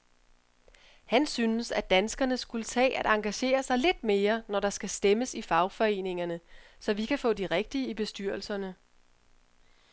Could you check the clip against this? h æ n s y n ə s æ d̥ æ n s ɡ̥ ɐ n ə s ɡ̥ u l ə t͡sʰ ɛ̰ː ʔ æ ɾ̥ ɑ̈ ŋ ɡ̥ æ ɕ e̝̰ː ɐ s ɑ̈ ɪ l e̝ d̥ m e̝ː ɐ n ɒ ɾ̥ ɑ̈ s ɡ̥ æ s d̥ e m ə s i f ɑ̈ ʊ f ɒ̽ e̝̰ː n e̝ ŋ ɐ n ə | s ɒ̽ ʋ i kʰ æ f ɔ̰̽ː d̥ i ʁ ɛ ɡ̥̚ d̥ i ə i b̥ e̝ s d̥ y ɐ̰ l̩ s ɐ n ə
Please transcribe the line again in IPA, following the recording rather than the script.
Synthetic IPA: h æ n s y n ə s æ d̥ æ n s ɡ̥ ɐ n ə s ɡ̥ u l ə t͡sʰ ɛ̰ː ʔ æ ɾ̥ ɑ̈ ŋ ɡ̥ æ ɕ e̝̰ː ɐ s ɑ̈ ɪ l e̝ d̥ m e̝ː ɐ n ɒ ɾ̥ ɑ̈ s ɡ̥ æ s d̥ e m ə s i f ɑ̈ ʊ f ɒ̽ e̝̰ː n e̝ ŋ ɐ n ə | s ɒ̽ ʋ i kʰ æ f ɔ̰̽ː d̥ i ʁ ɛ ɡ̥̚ d̥ i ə i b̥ e̝ s d̥ y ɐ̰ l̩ s ɐ n ə